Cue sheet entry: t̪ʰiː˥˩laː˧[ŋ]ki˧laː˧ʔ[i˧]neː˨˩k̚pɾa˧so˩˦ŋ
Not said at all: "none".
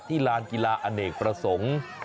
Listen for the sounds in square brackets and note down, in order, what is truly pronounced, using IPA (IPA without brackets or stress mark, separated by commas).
n, a˧